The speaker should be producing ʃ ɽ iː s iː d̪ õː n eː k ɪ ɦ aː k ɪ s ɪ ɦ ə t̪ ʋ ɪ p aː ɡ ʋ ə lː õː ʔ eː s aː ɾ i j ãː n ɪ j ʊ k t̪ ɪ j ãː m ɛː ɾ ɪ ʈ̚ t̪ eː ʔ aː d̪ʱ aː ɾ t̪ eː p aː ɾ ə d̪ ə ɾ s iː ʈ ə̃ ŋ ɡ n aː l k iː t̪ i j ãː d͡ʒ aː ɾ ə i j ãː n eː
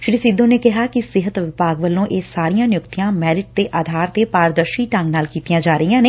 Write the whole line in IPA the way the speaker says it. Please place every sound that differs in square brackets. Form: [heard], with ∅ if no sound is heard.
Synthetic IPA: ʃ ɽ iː s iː d̪ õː n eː k ɪ ɦ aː k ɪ s ɪ ɦ ə t̪ ʋ ɪ p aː ɡ ʋ ə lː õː ʔ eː s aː ɾ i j ãː n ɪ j ʊ k t̪ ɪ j ãː m ɛː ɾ ɪ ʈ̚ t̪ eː ʔ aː d̪ʱ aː ɾ t̪ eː p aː ɾ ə d̪ ə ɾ [ʃ] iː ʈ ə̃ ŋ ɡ n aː l k iː t̪ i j ãː d͡ʒ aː ɾ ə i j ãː n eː